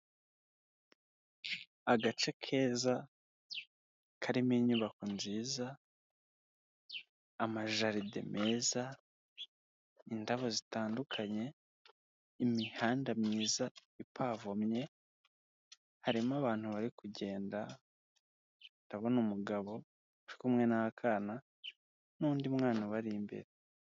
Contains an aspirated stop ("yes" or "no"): yes